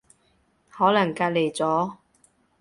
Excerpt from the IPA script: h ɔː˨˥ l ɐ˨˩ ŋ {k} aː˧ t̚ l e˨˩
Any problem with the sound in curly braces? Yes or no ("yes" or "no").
no